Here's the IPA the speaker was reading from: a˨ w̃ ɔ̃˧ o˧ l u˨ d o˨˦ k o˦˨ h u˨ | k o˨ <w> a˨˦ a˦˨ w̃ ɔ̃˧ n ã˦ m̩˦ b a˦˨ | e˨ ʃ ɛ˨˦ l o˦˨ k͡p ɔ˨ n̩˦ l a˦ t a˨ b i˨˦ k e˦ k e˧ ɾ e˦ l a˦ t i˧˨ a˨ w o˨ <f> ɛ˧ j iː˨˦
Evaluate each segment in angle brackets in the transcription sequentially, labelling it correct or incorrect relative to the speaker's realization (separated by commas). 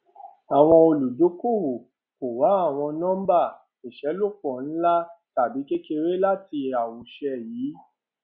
correct, incorrect